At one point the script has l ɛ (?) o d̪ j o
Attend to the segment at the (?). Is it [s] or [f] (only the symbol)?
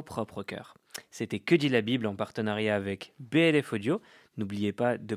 f